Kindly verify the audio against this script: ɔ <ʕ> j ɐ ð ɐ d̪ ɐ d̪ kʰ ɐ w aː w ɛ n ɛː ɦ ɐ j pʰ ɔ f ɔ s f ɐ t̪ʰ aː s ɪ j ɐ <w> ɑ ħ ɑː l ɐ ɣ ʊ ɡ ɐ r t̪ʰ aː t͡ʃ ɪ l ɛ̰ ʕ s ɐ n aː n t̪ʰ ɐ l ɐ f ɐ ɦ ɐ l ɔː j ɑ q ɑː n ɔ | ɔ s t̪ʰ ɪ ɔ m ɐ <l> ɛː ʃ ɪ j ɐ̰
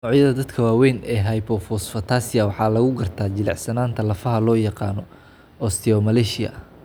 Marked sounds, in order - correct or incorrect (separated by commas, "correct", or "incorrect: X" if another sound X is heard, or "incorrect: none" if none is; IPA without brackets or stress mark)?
correct, correct, correct